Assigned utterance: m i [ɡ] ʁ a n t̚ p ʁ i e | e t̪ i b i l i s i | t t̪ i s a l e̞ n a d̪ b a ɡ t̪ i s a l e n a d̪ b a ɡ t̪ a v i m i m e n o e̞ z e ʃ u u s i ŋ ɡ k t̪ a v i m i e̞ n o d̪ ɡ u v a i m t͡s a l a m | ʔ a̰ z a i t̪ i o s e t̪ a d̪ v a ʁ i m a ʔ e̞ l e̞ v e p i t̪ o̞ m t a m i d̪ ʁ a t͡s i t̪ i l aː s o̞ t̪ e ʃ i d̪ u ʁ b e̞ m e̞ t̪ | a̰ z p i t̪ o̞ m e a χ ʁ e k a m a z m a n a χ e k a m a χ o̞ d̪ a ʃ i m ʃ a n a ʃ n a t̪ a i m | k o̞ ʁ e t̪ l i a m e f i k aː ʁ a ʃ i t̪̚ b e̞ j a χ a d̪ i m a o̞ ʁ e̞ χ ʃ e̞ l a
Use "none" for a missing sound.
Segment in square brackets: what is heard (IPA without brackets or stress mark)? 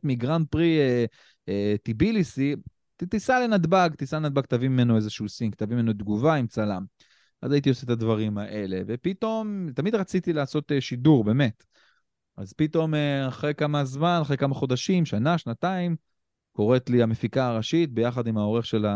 ɡ